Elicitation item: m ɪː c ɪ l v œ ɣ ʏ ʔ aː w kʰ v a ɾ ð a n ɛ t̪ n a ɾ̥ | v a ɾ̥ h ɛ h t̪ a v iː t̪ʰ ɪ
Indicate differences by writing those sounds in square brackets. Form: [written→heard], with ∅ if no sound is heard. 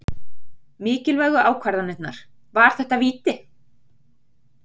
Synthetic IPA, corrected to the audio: m ɪː c ɪ l v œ ɣ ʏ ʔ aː w kʰ v a ɾ ð a n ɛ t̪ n a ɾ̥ | v a ɾ̥ [h→θ] ɛ h t̪ a v iː [t̪ʰ→t̪] ɪ